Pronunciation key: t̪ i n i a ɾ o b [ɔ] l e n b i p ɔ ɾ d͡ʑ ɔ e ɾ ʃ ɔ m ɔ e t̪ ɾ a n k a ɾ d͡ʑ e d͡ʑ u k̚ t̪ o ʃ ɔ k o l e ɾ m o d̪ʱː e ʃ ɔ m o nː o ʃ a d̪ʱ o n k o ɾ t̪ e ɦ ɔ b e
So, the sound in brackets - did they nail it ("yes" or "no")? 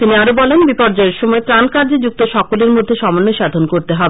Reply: yes